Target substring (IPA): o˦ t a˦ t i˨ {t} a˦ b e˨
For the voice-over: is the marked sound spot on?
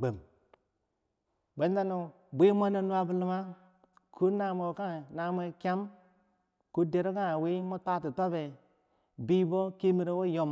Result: yes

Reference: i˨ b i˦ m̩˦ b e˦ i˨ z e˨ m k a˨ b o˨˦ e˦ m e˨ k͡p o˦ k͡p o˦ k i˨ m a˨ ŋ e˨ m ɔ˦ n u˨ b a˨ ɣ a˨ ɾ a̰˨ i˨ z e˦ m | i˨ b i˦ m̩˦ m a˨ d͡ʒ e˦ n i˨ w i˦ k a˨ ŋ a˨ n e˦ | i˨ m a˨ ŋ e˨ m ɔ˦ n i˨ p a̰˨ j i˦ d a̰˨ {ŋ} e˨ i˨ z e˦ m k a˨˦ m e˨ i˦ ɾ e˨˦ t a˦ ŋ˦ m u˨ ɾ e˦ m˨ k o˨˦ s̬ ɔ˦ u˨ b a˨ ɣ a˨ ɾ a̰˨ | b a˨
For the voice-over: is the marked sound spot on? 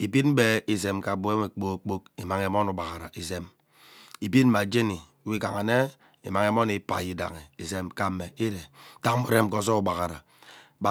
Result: yes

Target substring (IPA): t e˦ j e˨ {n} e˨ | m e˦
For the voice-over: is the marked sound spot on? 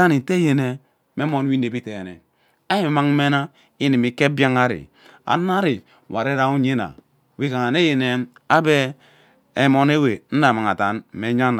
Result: yes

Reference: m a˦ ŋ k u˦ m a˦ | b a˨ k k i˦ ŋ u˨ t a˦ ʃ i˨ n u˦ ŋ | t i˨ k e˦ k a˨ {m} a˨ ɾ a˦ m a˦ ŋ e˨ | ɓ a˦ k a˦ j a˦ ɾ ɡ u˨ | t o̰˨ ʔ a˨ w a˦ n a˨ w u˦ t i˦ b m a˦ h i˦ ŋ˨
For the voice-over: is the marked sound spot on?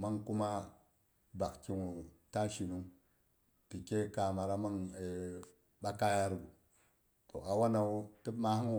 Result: yes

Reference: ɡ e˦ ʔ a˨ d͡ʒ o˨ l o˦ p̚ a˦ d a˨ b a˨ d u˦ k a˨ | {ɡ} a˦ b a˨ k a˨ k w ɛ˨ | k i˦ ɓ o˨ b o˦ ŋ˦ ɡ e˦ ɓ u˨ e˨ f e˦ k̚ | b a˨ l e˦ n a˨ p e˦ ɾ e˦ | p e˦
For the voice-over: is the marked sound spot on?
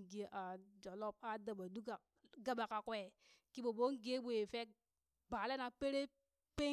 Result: yes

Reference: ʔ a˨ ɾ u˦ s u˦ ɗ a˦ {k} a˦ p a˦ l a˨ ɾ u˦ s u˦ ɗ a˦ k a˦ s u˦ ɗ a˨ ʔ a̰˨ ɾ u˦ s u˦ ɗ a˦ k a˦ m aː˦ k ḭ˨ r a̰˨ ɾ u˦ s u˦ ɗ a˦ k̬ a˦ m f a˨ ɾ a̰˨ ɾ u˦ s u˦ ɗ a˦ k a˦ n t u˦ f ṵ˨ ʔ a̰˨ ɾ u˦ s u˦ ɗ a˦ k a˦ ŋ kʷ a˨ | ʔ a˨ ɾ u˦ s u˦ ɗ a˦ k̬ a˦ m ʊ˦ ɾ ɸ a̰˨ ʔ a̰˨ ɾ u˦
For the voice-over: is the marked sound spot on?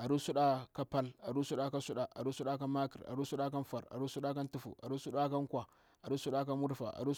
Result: yes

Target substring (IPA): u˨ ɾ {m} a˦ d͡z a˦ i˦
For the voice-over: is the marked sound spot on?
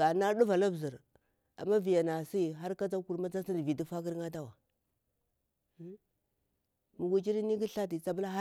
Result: yes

